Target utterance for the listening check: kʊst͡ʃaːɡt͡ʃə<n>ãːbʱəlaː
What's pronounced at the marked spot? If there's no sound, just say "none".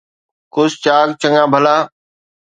ŋ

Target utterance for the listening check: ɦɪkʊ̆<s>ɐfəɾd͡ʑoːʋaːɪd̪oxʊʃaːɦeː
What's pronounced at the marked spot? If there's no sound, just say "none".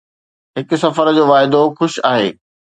s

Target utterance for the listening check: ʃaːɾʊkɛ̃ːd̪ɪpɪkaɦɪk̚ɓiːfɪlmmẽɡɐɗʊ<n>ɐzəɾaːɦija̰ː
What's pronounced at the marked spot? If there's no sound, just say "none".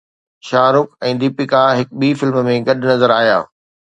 n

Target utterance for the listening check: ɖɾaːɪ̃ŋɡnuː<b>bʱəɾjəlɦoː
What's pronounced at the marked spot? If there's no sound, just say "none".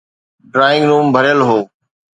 m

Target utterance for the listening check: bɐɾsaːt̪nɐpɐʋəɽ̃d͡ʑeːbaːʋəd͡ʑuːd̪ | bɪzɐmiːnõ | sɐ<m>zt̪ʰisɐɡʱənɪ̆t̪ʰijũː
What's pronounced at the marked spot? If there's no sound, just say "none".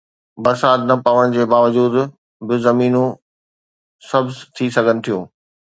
b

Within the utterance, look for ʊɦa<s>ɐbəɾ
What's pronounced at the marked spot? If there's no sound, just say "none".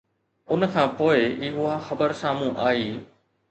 x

